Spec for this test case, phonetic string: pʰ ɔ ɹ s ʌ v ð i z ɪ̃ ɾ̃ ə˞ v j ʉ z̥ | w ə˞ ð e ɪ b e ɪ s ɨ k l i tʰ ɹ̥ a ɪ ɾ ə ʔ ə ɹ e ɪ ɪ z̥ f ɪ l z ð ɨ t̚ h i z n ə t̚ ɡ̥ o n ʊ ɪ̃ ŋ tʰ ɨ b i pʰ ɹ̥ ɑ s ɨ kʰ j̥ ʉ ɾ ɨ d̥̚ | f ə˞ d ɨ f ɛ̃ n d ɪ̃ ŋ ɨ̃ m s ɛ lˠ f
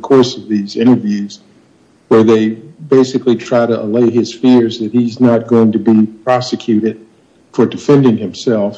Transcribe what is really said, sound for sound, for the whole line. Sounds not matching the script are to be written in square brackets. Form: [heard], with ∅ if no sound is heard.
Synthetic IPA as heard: [kʰ] ɔ ɹ s ʌ v ð i z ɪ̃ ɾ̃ ə˞ v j ʉ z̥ | w ə˞ ð e ɪ b e ɪ s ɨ k l i tʰ ɹ̥ a ɪ ɾ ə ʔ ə [l] e ɪ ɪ z̥ f ɪ [ɹ] z ð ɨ t̚ h i z n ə t̚ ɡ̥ o [∅] ʊ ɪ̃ ŋ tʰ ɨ b i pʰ ɹ̥ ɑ s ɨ kʰ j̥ ʉ ɾ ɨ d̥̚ | f ə˞ d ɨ f ɛ̃ n d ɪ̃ ŋ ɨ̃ m s ɛ lˠ f